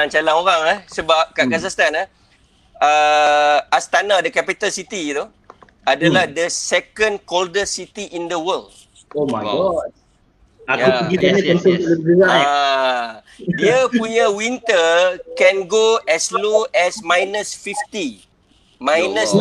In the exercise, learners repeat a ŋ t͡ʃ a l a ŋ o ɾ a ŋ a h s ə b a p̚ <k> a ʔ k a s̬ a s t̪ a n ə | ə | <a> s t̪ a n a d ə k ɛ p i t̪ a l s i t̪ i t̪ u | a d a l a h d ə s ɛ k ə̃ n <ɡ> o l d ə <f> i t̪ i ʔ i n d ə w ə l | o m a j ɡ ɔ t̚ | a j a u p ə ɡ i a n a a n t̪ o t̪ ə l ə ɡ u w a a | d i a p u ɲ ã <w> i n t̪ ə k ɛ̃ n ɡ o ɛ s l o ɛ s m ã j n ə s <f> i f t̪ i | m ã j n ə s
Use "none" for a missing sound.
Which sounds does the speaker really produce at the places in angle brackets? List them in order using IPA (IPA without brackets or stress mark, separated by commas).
k, a, k, s, w, f